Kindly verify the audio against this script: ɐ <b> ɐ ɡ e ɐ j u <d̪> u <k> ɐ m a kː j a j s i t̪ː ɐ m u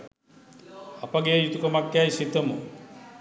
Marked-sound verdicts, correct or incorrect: incorrect: p, incorrect: t̪, correct

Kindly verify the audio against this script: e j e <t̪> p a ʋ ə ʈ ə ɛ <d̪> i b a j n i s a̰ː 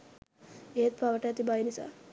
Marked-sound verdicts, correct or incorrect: correct, incorrect: t̪

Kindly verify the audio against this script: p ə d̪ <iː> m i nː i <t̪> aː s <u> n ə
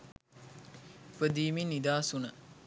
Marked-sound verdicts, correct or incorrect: correct, incorrect: d̪, correct

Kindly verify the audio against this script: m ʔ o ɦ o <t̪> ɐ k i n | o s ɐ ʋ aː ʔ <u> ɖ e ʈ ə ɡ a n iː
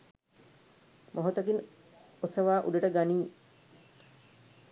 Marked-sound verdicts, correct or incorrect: correct, correct

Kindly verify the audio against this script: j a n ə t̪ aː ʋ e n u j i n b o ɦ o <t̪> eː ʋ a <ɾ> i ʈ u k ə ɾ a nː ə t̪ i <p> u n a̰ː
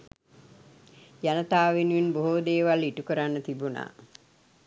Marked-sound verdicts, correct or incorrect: incorrect: d̪, incorrect: l, incorrect: b

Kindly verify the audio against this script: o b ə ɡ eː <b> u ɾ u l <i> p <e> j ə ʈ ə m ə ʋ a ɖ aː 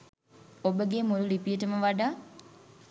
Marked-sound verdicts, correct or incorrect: incorrect: m, correct, incorrect: i

